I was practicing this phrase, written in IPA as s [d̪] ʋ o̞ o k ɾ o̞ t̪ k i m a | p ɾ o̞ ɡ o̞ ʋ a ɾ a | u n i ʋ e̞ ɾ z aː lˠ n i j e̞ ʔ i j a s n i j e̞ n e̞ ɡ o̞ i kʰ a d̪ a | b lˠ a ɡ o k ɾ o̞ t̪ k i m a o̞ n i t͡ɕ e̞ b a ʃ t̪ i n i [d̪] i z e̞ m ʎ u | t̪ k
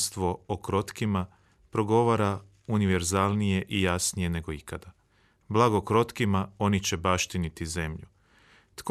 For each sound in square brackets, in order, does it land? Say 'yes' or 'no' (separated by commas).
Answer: no, no